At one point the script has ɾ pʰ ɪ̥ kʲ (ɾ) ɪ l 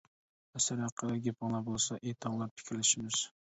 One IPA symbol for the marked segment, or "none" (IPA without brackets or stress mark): ɾ